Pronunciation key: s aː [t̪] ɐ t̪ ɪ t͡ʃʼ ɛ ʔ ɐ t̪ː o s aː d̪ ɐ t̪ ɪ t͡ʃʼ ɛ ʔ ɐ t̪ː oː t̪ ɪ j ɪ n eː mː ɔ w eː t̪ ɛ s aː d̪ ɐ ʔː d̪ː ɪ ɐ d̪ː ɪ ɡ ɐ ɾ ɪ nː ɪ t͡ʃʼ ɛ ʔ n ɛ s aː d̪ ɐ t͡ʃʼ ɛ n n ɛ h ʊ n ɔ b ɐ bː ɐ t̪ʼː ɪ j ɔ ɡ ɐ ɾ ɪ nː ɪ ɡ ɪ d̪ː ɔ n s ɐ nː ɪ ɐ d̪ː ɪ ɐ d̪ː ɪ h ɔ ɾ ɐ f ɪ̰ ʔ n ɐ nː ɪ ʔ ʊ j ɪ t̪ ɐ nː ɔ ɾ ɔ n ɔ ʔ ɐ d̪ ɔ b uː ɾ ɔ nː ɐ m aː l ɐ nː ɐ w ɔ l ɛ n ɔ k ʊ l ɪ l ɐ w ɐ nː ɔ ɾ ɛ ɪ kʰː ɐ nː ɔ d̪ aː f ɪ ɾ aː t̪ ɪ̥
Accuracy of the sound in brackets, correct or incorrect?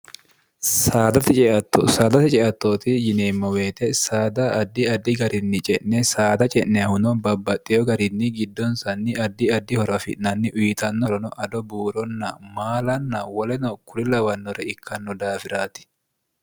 incorrect